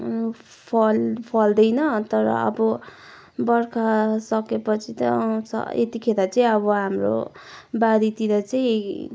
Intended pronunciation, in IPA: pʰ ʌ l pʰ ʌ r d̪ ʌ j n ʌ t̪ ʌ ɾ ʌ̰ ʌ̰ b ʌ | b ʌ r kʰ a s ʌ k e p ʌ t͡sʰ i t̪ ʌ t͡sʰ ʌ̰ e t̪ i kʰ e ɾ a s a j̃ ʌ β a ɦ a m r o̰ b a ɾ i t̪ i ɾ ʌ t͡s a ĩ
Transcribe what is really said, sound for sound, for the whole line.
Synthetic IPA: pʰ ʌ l pʰ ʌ l d̪ ʌ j n ʌ t̪ ʌ ɾ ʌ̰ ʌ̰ b ʌ | b ʌ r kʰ a s ʌ k e p ʌ t͡sʰ i t̪ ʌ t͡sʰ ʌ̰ e t̪ i kʰ e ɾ a t͡s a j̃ ʌ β ʌ ɦ a m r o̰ b a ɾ i t̪ i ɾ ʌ t͡s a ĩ